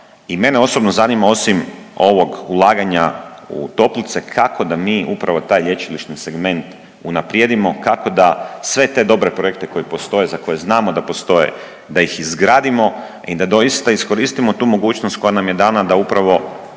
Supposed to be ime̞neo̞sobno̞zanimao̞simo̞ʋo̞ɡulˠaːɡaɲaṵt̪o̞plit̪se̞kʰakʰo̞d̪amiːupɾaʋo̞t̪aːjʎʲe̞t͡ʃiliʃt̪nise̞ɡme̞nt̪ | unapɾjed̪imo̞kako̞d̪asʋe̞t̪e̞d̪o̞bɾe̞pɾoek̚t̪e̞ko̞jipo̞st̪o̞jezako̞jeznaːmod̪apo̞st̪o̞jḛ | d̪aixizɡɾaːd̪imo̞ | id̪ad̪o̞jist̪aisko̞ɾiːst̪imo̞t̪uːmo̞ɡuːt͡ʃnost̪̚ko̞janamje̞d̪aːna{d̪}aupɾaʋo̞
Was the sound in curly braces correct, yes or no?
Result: yes